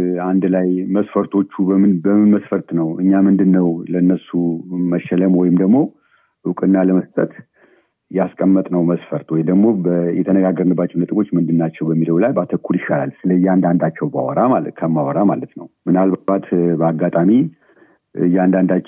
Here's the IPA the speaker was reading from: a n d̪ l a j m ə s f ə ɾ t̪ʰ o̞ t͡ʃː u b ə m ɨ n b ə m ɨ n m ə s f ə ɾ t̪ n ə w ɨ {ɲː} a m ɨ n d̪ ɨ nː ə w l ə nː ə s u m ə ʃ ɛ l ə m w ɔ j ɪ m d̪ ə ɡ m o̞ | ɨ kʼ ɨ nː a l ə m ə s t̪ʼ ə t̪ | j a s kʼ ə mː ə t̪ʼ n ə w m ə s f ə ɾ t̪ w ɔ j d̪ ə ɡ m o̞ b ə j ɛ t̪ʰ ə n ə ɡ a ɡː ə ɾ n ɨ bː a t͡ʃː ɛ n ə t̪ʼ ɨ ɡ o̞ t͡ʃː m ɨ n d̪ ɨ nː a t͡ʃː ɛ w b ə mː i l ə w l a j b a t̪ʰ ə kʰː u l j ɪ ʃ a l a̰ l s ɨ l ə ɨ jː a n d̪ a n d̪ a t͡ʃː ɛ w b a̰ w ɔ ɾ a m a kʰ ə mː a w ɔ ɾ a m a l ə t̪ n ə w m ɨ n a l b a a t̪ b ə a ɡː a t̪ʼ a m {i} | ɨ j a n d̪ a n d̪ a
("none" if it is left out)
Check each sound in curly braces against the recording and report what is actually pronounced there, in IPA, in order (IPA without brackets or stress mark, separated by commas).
ɲː, i